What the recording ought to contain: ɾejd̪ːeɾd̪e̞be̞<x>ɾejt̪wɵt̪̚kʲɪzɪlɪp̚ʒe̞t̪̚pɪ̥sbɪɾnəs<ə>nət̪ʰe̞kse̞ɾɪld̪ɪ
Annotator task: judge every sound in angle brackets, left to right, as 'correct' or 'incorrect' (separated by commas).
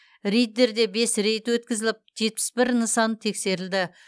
incorrect, incorrect